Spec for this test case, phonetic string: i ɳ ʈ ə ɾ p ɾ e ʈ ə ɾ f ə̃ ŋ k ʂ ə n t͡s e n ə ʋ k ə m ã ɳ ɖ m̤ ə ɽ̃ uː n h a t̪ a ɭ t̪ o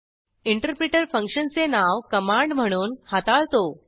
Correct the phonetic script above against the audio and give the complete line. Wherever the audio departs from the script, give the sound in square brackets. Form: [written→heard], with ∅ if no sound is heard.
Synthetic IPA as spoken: i ɳ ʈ ə ɾ p ɾ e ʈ ə ɾ f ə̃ ŋ k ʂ ə n t͡s e n [ə→a] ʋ k ə m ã ɳ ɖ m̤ ə ɽ̃ uː n h a t̪ a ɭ t̪ o